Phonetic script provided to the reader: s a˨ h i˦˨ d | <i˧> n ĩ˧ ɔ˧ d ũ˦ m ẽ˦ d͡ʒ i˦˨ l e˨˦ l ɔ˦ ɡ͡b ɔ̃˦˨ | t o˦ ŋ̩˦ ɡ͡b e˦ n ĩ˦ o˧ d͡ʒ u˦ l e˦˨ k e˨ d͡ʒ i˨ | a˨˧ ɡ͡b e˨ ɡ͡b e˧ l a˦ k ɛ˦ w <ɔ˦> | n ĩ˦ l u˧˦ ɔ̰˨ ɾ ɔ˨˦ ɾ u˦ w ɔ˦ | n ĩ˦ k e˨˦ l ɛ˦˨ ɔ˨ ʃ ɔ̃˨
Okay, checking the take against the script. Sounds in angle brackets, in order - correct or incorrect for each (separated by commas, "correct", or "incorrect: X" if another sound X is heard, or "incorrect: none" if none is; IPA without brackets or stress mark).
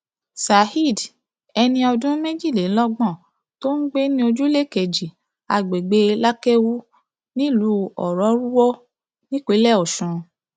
incorrect: ɛ˧, incorrect: u˦